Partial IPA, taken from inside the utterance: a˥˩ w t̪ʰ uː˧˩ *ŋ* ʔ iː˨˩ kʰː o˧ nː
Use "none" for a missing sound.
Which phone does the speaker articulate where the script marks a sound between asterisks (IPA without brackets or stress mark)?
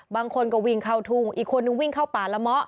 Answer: ŋ